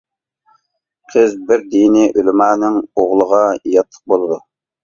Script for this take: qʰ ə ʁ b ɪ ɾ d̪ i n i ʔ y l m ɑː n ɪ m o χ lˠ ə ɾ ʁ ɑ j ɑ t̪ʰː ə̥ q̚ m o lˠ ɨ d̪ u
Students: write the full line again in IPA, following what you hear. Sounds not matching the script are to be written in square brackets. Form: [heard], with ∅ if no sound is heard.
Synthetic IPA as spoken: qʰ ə [z] b ɪ ɾ d̪ i n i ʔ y l m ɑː n ɪ [ŋ] o [ʁ] lˠ ə [∅] ʁ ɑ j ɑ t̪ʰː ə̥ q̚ [b] o lˠ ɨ d̪ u